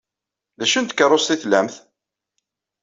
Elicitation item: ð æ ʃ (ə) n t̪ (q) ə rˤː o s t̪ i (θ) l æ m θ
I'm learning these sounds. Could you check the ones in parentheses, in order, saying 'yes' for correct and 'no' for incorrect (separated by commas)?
yes, no, yes